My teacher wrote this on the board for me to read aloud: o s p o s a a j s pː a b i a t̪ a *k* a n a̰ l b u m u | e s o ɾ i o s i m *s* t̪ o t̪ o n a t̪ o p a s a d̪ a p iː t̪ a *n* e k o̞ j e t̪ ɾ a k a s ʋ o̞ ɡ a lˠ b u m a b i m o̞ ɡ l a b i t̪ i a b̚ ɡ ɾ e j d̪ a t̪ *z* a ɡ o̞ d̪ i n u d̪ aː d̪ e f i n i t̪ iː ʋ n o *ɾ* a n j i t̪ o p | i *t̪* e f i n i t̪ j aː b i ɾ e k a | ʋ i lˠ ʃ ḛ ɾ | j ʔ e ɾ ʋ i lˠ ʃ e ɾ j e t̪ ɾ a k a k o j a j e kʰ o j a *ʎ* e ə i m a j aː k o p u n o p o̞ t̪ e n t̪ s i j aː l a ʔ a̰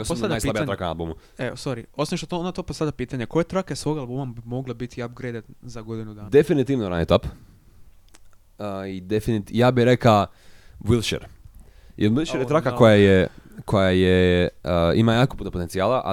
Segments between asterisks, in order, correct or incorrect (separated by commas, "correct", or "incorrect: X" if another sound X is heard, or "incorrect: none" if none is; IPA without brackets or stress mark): correct, incorrect: ʃ, incorrect: ɲ, correct, correct, incorrect: d̪, incorrect: j